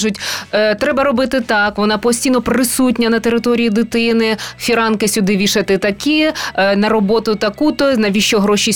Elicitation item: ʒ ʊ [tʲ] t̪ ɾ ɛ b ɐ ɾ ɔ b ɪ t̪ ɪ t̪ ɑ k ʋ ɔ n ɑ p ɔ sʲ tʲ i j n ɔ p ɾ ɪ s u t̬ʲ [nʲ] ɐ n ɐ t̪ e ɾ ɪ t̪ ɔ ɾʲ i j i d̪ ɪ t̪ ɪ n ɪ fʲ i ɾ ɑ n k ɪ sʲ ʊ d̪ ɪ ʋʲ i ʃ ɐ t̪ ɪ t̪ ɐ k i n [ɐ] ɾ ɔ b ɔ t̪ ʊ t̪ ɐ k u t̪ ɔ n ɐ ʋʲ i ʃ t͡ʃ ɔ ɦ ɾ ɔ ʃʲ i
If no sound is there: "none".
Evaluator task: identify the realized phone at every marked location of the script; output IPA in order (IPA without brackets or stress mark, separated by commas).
tʲ, nʲ, ɐ